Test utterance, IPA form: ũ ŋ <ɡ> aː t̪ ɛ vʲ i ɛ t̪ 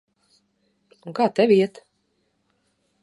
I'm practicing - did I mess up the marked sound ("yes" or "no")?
yes